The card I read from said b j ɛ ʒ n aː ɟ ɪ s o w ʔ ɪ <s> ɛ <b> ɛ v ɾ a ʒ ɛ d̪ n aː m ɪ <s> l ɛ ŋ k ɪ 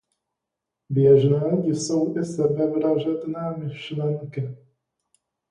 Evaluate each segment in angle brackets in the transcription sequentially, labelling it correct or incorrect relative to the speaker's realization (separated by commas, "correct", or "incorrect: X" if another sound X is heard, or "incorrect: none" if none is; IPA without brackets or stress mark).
correct, correct, incorrect: ʃ